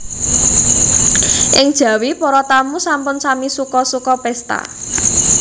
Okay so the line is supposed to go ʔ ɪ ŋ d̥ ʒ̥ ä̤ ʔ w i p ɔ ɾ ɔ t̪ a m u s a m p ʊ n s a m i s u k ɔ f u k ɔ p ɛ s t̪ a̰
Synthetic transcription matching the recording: ʔ ɪ ŋ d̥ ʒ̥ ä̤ w i p ɔ ɾ ɔ t̪ a m u s a m p ʊ n s a m i s u k ɔ s u k ɔ p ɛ s t̪ a̰